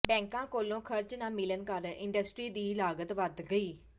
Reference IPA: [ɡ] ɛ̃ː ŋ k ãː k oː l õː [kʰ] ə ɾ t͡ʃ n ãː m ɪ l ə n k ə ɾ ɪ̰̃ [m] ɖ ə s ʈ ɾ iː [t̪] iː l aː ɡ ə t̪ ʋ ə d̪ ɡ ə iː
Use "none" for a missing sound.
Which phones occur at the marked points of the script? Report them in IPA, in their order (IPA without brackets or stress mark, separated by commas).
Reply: b, kʰ, ɳ, d̪